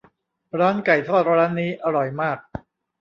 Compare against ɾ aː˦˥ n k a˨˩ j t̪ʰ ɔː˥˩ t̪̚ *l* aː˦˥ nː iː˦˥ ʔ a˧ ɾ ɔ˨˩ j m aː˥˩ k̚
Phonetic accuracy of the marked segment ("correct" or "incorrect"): incorrect